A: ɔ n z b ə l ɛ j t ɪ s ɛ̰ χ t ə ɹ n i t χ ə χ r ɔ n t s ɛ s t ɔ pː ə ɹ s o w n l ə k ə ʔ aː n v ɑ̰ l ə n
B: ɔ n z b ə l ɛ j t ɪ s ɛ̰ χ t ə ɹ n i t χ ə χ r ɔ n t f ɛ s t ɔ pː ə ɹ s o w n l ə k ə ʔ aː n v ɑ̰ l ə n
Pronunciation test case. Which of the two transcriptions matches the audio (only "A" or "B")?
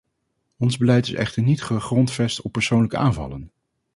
B